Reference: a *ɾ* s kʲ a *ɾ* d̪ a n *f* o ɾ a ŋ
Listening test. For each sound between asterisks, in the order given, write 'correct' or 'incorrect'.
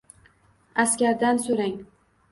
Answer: incorrect, correct, incorrect

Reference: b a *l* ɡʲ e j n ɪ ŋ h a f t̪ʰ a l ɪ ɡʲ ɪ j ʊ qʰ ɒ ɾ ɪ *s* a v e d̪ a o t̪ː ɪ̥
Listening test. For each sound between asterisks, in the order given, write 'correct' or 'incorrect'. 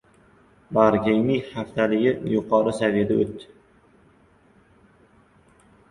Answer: incorrect, correct

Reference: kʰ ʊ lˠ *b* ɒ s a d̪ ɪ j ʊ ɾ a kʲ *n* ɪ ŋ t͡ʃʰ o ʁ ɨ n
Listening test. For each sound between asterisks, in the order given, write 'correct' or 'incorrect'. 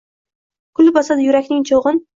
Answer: correct, correct

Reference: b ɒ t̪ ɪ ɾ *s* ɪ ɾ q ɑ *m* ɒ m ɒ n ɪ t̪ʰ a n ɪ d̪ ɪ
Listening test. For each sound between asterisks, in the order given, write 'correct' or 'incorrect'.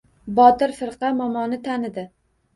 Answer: incorrect, correct

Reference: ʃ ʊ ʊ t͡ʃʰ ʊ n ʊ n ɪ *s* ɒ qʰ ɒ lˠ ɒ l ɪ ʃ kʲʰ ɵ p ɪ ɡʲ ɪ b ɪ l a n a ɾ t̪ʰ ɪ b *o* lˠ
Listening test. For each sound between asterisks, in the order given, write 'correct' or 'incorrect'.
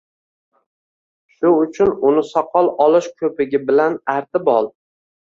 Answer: correct, incorrect

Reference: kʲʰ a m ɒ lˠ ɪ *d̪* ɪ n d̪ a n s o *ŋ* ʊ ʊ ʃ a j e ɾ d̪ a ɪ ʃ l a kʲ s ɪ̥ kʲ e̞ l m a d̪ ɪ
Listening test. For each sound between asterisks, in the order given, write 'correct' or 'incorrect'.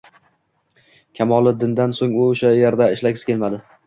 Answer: correct, correct

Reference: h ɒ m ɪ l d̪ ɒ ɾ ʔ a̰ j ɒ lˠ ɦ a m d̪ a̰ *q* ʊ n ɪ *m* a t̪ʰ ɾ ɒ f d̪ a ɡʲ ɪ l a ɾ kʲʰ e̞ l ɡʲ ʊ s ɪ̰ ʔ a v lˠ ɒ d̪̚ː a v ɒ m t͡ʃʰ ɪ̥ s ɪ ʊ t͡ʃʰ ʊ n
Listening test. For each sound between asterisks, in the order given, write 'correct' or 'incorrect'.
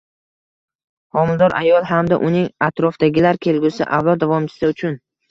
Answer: incorrect, incorrect

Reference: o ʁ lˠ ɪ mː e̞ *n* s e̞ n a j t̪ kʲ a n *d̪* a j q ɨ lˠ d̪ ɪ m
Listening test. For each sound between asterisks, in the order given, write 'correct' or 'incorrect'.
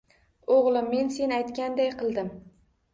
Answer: correct, correct

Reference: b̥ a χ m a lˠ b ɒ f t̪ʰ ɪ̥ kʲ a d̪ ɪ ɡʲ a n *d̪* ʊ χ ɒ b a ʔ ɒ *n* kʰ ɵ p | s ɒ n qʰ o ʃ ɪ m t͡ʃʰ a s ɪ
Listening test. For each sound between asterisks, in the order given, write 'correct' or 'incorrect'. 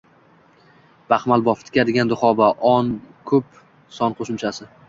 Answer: correct, correct

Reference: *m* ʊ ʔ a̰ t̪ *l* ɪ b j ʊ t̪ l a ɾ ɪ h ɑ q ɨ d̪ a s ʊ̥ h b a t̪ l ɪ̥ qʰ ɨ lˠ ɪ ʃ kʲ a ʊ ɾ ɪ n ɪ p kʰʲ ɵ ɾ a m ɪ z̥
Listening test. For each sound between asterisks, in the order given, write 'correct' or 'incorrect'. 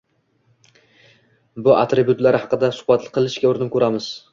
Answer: incorrect, incorrect

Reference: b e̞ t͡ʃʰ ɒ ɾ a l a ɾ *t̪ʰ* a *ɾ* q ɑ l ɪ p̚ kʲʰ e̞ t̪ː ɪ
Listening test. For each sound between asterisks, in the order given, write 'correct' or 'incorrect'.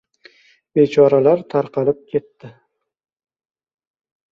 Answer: correct, correct

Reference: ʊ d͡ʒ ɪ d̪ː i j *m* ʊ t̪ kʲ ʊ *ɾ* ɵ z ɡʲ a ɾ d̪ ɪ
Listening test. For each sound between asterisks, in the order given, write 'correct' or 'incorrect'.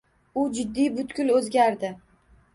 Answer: incorrect, incorrect

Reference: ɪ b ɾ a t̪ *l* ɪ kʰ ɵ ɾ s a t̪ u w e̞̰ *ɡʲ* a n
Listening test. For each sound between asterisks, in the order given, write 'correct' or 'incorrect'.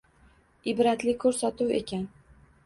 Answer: correct, incorrect

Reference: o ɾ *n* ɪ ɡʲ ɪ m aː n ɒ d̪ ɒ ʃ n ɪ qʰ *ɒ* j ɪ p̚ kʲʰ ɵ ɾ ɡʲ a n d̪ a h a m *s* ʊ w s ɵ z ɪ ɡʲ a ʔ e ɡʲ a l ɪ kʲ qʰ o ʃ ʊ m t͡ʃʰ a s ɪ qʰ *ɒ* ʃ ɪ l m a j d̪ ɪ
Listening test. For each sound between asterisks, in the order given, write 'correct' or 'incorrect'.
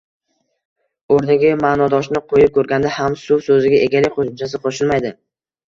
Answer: correct, incorrect, correct, incorrect

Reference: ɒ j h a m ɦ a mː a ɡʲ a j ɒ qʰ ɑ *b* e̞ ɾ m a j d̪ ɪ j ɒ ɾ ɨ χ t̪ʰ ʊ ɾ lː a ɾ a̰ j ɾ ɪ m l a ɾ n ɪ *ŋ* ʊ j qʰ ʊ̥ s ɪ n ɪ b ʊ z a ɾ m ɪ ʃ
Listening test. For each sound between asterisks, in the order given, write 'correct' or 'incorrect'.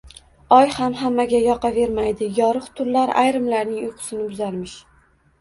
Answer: incorrect, correct

